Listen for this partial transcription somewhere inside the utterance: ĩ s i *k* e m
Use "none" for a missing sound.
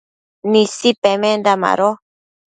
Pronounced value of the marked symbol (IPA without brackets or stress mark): p